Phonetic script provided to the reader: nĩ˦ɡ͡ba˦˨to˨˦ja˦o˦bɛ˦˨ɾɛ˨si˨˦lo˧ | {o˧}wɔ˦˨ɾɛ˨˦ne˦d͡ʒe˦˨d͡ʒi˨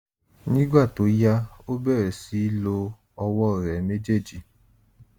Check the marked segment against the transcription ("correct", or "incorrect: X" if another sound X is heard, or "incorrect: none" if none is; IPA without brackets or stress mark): incorrect: ɔ˧